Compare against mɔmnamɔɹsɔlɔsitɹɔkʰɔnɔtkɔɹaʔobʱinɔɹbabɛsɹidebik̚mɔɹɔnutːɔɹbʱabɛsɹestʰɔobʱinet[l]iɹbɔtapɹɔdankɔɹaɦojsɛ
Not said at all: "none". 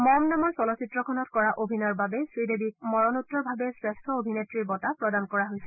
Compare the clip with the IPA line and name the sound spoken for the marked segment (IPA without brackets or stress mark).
ɹ